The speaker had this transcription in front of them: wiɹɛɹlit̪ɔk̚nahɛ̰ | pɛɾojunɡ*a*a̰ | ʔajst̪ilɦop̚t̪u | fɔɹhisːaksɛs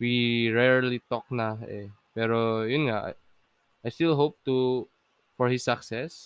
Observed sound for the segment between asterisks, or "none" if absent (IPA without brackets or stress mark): a